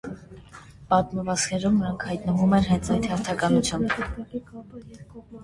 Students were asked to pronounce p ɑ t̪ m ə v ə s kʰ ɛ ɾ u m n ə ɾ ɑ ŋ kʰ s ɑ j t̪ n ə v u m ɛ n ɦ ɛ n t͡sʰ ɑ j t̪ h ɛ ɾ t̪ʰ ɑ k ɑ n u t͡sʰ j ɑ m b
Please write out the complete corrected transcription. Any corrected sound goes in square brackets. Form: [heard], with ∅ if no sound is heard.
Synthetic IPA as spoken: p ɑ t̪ m ə v [ɑ] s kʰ ɛ ɾ u m n ə ɾ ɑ ŋ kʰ [h] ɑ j t̪ n ə v u m ɛ n ɦ ɛ n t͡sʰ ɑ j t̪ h ɛ ɾ t̪ʰ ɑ k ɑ n u t͡sʰ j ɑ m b